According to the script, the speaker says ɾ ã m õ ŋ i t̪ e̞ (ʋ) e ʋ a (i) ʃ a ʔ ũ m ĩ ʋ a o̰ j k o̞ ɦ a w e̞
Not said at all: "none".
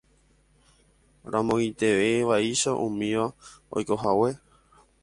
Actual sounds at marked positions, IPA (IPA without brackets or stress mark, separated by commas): ʋ, i